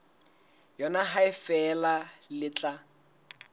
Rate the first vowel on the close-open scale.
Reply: mid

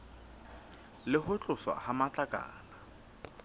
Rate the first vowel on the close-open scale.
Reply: close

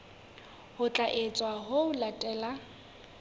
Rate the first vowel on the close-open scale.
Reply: close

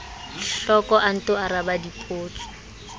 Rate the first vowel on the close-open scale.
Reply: mid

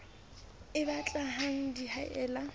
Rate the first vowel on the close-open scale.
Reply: close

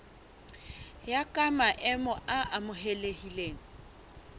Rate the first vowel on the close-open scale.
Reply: open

